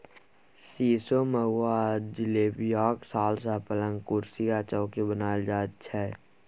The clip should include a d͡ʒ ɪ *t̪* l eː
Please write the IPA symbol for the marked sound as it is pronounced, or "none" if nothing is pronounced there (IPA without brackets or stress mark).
none